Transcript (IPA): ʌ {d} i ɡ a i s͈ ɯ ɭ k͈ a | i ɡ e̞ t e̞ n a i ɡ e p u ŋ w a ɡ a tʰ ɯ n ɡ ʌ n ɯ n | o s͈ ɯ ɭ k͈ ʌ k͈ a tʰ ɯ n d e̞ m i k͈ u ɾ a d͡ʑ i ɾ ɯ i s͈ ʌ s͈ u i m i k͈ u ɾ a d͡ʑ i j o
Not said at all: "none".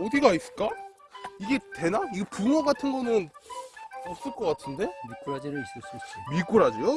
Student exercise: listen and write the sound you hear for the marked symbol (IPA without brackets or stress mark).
d